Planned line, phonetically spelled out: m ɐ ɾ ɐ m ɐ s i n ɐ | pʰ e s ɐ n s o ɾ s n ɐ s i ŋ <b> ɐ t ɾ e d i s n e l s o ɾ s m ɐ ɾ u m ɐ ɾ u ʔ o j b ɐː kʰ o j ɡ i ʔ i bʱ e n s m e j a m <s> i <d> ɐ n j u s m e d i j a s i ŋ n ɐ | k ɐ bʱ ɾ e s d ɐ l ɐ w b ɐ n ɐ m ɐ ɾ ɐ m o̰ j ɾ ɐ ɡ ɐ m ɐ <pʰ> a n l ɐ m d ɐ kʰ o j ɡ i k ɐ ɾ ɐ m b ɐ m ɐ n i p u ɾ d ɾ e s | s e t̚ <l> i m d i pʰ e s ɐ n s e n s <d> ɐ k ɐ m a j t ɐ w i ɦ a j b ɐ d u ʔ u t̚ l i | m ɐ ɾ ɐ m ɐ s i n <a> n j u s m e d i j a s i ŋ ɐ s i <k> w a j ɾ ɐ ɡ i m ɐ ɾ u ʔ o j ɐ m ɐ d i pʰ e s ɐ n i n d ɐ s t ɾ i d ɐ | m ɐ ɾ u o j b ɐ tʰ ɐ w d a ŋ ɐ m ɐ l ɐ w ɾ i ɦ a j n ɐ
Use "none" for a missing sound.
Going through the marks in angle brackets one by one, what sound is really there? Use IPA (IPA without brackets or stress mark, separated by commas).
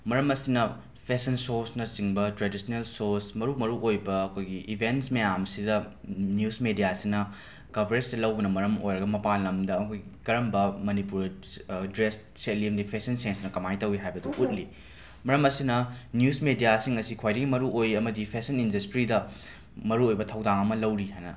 b, s, d, p, l, n, ɐ, kʰ